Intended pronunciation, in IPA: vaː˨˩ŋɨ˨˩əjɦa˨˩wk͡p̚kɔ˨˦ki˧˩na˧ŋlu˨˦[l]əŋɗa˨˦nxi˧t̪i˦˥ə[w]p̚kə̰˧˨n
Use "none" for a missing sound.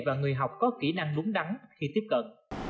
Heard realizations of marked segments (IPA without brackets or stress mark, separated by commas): none, none